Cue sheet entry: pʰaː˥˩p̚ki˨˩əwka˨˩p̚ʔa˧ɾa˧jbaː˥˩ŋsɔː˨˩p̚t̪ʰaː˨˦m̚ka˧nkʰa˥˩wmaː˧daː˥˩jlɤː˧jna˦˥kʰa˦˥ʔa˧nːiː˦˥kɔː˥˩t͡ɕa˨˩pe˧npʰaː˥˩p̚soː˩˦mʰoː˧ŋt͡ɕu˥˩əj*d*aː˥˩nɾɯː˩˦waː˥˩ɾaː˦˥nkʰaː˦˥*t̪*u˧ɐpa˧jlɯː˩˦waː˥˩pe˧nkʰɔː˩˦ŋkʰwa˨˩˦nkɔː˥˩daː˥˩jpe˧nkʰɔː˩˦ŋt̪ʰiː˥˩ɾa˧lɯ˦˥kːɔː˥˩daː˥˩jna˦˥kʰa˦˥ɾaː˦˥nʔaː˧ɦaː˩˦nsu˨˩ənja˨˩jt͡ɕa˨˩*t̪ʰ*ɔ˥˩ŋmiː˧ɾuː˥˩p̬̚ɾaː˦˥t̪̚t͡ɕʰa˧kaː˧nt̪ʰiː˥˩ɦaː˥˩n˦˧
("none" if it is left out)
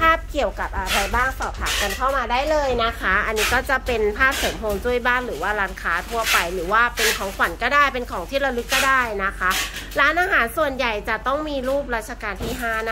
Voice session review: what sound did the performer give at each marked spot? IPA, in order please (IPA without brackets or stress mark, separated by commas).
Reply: b, t̪ʰ, t̪